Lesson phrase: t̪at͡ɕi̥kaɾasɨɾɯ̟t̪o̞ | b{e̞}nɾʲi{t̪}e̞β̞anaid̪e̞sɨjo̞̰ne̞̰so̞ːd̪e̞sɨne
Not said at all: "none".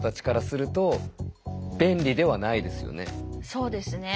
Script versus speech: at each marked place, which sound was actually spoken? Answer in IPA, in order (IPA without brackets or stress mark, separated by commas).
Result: ẽ̞, d̪